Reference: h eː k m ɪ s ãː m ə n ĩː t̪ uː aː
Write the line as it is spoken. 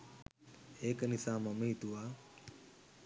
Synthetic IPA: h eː k n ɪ s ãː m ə m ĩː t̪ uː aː